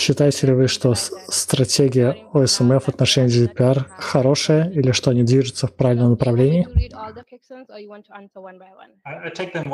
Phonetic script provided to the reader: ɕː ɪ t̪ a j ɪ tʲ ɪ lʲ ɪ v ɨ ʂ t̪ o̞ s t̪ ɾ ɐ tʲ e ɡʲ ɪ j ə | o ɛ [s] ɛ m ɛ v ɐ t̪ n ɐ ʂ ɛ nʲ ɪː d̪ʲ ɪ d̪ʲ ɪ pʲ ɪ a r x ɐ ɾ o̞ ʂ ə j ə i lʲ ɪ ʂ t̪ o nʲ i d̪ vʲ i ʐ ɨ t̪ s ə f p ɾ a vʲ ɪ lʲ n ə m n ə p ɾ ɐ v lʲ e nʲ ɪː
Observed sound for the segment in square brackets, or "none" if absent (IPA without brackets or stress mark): s